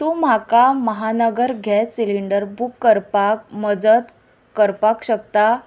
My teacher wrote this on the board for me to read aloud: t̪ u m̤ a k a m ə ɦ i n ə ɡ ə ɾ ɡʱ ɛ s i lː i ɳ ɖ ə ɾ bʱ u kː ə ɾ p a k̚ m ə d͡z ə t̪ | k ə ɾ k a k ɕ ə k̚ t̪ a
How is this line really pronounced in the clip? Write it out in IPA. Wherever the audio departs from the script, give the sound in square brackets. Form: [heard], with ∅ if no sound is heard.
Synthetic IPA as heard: t̪ u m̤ a k a m ə ɦ [a] n ə ɡ ə ɾ ɡʱ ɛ s i [l] i ɳ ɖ ə ɾ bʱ u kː ə ɾ p a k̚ m ə d͡z ə t̪ | k ə ɾ [p] a k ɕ ə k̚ t̪ a